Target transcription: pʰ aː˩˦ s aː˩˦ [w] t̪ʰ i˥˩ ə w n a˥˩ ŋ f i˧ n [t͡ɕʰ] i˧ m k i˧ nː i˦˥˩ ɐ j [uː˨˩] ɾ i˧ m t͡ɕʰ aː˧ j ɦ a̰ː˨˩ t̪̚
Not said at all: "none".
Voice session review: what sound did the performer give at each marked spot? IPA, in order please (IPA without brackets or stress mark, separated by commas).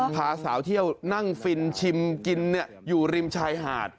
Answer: w, t͡ɕʰ, uː˨˩